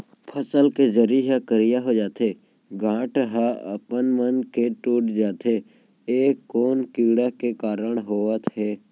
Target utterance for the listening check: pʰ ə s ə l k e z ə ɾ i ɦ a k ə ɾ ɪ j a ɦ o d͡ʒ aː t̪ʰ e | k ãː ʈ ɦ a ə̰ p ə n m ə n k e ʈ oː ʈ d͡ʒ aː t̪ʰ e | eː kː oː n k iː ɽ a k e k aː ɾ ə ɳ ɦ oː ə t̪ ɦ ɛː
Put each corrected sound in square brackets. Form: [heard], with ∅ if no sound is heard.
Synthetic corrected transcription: pʰ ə s ə l k e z ə ɾ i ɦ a k ə ɾ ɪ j a ɦ o d͡ʒ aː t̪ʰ e | [ɡ] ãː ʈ ɦ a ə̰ p ə n m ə n k e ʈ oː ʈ d͡ʒ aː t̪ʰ e | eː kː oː n k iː ɽ a k e k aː ɾ ə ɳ ɦ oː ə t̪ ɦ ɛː